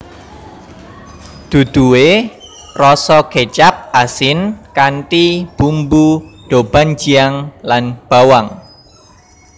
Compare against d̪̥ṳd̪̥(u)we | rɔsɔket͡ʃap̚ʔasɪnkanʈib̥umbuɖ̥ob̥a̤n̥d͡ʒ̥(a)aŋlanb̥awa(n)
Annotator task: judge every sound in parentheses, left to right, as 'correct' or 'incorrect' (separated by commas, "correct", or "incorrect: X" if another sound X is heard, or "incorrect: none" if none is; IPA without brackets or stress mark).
correct, incorrect: i, incorrect: ŋ